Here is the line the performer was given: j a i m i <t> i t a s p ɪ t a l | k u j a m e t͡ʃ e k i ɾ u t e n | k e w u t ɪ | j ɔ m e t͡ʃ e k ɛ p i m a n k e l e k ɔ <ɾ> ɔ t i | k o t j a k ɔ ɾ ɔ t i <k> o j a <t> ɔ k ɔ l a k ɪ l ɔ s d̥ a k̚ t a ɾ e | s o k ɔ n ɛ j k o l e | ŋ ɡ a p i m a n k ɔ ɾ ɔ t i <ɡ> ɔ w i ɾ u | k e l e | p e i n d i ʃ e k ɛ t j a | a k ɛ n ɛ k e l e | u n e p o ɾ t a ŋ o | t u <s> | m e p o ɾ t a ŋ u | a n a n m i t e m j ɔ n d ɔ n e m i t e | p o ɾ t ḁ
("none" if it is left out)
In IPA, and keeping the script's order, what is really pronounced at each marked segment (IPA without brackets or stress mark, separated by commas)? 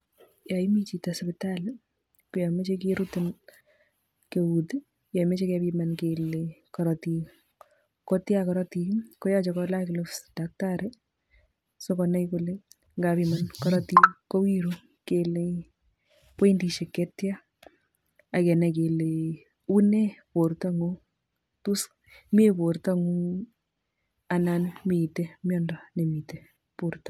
t͡ʃ, ɾ, k, t͡ʃ, k, s